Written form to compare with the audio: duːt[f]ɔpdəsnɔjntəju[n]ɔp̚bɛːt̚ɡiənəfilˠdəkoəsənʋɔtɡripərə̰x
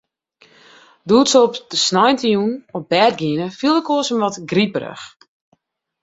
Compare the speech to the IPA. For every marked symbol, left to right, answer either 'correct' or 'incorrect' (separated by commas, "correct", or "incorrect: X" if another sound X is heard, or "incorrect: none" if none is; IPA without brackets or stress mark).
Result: incorrect: s, correct